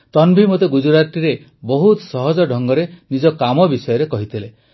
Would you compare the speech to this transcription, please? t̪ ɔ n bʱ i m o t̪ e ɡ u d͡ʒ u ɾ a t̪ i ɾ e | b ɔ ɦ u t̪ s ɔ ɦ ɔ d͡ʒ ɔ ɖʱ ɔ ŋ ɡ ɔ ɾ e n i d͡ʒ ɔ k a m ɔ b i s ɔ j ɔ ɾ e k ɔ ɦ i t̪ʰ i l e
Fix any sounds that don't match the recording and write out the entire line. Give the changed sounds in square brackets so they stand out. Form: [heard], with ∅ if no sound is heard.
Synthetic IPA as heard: t̪ ɔ n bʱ i m o t̪ e ɡ u d͡ʒ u ɾ a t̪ i ɾ e | b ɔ ɦ u t̪ s ɔ ɦ ɔ d͡ʒ ɔ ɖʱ ɔ ŋ ɡ ɔ ɾ e n i d͡ʒ ɔ k a m ɔ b i s ɔ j ɔ ɾ e k ɔ ɦ i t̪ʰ i l e